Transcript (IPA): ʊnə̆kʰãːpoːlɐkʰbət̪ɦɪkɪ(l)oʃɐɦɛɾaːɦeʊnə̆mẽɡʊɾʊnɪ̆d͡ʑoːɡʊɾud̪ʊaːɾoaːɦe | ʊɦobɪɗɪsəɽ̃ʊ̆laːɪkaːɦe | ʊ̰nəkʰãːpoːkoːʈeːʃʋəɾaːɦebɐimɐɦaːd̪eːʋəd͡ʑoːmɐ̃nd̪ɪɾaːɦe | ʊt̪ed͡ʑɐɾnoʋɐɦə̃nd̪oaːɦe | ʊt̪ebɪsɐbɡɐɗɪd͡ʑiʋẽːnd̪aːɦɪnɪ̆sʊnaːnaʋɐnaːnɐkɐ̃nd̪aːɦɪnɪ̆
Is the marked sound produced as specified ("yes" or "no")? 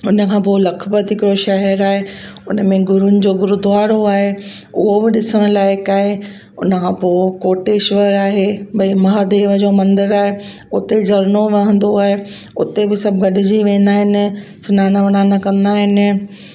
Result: no